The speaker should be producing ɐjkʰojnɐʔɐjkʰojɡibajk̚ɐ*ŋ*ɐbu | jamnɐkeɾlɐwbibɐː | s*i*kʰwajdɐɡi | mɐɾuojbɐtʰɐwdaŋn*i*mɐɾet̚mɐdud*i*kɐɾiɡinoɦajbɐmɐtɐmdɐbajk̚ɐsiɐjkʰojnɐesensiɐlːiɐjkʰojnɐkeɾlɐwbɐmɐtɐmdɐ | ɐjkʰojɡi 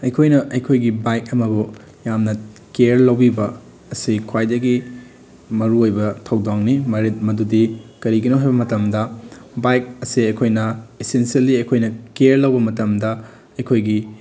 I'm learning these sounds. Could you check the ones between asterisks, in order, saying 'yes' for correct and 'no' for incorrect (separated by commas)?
no, yes, yes, yes